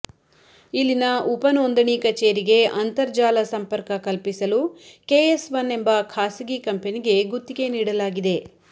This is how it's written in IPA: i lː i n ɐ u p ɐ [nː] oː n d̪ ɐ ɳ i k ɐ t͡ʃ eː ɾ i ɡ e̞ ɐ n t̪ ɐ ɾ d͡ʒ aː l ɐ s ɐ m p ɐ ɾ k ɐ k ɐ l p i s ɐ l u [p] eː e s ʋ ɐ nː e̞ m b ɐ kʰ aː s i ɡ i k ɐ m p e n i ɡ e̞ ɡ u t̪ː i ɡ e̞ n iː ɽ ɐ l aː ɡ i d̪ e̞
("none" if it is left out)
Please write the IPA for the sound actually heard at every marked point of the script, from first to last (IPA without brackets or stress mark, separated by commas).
n, k